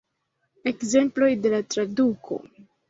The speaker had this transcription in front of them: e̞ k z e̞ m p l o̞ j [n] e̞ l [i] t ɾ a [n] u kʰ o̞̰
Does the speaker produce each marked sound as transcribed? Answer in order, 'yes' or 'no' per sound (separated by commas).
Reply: no, no, no